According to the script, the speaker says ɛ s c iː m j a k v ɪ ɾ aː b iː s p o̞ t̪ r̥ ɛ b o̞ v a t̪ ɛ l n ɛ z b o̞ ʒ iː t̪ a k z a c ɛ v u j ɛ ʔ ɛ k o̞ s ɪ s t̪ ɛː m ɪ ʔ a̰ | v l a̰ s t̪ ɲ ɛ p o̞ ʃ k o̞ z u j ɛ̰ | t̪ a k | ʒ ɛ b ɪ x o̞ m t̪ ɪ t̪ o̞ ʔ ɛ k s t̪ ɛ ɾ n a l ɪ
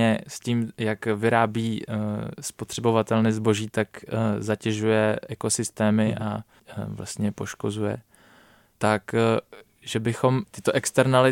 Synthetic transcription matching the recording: ɛ s c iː m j a k v ɪ ɾ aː b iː s p o̞ t̪ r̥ ɛ b o̞ v a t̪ ɛ l n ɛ z b o̞ ʒ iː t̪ a k z a c ɛ ʒ u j ɛ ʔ ɛ k o̞ s ɪ s t̪ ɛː m ɪ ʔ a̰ | v l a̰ s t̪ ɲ ɛ p o̞ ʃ k o̞ z u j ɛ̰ | t̪ a k | ʒ ɛ b ɪ x o̞ m t̪ ɪ t̪ o̞ ʔ ɛ k s t̪ ɛ ɾ n a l ɪ